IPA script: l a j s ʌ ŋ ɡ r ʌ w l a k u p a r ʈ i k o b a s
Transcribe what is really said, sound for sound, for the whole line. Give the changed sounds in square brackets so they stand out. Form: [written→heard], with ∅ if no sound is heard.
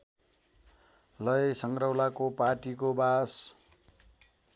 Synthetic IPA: l [a→ʌ] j s ʌ ŋ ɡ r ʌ w l a k [u→o] p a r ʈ i k o b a s

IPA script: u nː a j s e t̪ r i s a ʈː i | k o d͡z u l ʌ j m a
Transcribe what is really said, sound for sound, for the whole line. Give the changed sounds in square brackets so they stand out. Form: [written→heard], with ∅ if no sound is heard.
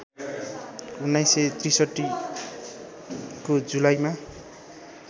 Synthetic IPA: u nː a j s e t̪ r i s [a→ʌ] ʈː i | k o d͡z u l [ʌ→a] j m a

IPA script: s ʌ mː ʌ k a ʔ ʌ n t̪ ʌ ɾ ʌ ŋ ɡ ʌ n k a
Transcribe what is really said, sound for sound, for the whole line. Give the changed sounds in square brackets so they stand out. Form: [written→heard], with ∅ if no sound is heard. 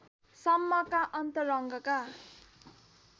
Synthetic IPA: s ʌ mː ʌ k a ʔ ʌ n t̪ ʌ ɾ ʌ ŋ ɡ ʌ [n→∅] k a

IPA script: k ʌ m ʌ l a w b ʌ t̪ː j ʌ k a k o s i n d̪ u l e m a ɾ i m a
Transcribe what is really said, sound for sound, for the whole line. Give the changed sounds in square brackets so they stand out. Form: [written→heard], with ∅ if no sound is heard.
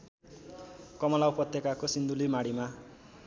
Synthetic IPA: k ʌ m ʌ l a w [b→p] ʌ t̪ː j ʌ k a k o s i n d̪ u l [e→i] m a [ɾ→ɽ] i m a

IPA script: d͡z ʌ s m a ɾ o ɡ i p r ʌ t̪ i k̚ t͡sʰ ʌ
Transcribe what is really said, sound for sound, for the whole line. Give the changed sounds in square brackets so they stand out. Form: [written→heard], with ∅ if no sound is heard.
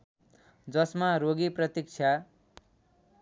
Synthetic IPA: d͡z ʌ s m a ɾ o ɡ i p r ʌ t̪ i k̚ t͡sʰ [ʌ→a]

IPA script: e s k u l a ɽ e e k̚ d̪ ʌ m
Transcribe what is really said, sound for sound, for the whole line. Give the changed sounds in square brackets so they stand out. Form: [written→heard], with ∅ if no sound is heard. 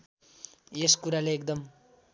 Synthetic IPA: e s k u [l→ɾ] a [ɽ→l] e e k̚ d̪ ʌ m

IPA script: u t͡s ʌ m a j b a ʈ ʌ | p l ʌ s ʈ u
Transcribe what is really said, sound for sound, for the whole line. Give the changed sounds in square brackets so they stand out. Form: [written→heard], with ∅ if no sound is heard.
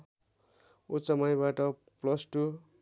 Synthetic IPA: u t͡s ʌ m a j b a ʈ ʌ | p l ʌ s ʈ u

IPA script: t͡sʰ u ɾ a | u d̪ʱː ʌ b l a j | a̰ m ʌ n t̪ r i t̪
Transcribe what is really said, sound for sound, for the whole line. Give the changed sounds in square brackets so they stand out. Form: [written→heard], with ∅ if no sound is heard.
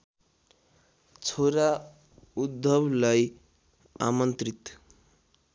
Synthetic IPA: t͡sʰ [u→o] ɾ a | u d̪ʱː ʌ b l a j | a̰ m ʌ n t̪ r i t̪

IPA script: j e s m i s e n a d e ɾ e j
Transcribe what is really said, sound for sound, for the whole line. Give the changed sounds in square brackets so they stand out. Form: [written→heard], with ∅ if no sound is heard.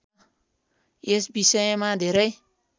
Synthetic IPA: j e s [m→b] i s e [n→m] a d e ɾ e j

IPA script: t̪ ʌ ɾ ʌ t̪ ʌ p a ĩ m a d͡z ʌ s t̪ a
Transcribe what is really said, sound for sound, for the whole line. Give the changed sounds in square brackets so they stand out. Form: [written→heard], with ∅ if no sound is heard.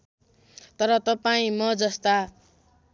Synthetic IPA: t̪ ʌ ɾ ʌ t̪ ʌ p a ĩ m [a→ʌ] d͡z ʌ s t̪ a

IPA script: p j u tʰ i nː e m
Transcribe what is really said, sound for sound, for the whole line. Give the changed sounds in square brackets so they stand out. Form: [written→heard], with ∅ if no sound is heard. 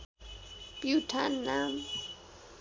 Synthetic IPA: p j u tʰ [i→a] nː [e→a] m

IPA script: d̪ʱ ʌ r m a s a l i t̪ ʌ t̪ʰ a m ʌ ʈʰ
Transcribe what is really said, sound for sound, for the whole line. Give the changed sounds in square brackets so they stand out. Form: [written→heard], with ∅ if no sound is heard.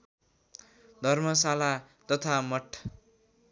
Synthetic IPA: d̪ʱ ʌ r m [a→ʌ] s a l [i→a] t̪ ʌ t̪ʰ a m ʌ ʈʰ

